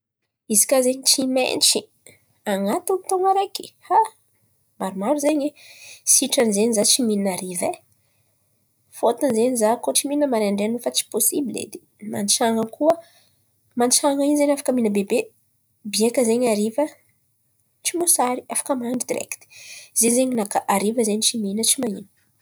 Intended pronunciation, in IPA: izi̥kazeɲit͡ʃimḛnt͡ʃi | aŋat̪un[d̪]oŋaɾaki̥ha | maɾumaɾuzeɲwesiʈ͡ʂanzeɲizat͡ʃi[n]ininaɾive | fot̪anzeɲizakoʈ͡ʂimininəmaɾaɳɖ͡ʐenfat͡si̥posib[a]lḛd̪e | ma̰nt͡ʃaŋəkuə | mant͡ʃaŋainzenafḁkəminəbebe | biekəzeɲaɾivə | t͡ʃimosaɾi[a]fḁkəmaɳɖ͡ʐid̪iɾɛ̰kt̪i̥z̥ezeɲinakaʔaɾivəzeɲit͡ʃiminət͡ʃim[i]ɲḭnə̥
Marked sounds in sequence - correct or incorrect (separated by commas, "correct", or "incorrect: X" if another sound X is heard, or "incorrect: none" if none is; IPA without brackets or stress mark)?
incorrect: t̪, incorrect: m, incorrect: i, correct, incorrect: a